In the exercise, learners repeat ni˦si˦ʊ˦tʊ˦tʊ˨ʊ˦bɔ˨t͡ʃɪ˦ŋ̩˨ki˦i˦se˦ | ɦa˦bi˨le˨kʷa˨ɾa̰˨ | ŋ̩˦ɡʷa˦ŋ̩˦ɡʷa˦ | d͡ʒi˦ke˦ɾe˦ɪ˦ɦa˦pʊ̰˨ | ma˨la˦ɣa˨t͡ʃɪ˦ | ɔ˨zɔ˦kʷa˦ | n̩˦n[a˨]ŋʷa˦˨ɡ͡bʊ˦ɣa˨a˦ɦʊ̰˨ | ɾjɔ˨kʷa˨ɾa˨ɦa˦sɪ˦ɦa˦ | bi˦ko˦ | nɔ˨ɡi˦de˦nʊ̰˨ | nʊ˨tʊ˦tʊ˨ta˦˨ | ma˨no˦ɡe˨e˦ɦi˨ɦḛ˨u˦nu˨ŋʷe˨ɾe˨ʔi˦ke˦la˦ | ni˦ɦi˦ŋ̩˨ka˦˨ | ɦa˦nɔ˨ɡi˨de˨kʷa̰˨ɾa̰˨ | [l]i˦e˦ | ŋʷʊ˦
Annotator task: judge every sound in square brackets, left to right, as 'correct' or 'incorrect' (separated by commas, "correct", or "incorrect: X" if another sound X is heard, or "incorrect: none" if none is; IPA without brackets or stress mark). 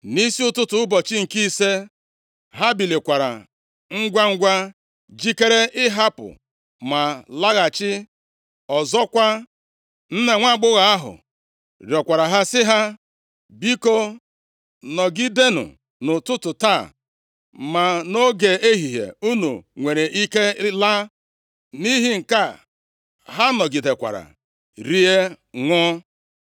incorrect: e˨, incorrect: ɾ